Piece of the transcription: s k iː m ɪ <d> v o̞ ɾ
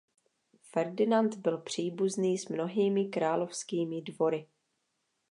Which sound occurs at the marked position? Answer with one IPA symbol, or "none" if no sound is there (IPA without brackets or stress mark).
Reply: d